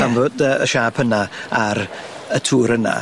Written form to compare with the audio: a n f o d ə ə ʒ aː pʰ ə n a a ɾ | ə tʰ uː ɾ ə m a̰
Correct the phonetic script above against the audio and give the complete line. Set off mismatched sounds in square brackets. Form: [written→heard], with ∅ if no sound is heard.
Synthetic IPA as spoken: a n [f→v] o d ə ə [ʒ→ʃ] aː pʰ ə n a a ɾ | ə tʰ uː ɾ ə [m→n] a̰